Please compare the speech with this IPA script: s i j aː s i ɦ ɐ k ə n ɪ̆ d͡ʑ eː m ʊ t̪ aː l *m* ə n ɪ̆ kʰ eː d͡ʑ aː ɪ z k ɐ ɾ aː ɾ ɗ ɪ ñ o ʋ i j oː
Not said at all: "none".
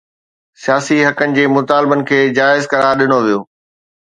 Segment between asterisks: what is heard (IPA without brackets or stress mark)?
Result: b